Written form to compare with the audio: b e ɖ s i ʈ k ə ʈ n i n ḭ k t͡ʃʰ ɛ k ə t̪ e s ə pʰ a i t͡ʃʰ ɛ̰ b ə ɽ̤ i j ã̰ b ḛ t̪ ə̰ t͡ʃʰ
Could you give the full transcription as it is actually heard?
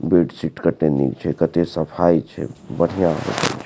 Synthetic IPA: b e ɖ s i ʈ k ə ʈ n e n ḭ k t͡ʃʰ ɛ k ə t̪ e s ə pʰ a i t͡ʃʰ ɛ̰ b ə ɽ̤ i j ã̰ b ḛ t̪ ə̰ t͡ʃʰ